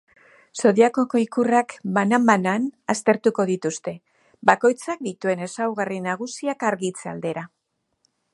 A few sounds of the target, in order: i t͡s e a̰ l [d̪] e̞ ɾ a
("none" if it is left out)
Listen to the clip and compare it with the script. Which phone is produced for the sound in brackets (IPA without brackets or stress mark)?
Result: d̪